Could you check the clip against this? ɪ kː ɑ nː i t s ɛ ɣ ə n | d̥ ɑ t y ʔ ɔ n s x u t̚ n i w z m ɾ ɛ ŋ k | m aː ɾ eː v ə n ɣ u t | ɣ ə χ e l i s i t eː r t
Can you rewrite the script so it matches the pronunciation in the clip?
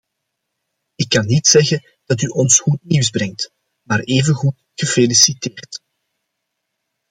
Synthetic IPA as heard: ɪ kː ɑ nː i t s ɛ ɣ ə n | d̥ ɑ t y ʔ ɔ n s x u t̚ n i w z b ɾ ɛ ŋ t | m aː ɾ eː v ə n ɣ u t | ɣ ə f e l i s i t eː r t